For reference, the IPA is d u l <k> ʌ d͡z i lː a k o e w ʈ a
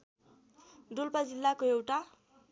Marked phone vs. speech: incorrect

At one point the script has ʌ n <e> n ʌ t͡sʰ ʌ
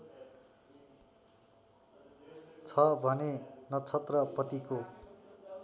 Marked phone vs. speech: correct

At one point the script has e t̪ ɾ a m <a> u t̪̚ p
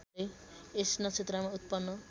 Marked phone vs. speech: correct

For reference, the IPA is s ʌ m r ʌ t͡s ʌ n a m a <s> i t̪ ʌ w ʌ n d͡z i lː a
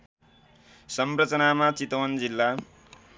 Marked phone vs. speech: incorrect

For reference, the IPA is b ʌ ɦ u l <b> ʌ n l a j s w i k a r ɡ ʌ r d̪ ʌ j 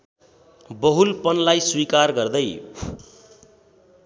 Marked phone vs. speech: incorrect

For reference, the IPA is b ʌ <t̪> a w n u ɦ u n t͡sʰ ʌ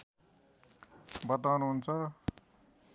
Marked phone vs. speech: correct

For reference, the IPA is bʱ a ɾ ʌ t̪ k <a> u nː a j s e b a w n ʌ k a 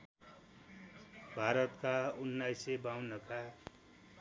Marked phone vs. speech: correct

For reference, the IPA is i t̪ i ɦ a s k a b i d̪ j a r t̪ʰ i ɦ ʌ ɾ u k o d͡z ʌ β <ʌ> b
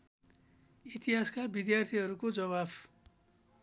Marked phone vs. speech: incorrect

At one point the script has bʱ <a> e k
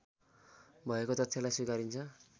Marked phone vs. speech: incorrect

